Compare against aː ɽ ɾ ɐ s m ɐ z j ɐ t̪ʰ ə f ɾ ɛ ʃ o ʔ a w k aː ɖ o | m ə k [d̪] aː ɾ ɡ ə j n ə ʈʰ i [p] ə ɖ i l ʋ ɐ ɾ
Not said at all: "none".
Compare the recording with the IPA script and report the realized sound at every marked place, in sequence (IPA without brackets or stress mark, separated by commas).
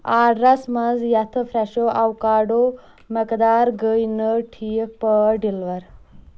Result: d̪, p